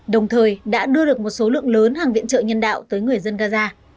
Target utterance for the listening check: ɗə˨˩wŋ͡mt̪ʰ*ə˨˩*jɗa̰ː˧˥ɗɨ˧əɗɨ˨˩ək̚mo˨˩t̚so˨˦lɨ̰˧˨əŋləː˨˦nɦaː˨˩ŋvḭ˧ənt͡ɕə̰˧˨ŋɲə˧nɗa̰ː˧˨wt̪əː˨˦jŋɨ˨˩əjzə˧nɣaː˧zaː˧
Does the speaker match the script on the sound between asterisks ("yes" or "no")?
no